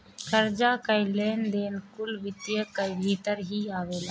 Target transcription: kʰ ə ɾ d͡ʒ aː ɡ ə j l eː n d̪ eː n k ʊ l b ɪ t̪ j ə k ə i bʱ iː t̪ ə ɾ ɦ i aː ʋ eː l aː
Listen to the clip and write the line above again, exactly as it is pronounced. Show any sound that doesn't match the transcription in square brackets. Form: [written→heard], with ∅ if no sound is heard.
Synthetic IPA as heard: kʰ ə ɾ d͡ʒ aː [ɡ→k] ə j l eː n d̪ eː n k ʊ l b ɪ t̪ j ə k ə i bʱ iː t̪ ə ɾ ɦ i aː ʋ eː l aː